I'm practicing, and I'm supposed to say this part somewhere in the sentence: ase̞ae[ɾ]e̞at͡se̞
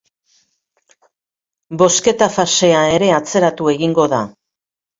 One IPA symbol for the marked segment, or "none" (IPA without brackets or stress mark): ɾ